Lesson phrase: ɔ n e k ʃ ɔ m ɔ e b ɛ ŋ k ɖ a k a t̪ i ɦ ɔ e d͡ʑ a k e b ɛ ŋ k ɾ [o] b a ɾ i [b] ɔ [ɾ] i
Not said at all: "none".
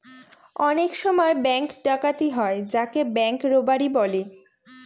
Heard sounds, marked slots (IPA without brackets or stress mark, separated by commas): o, b, l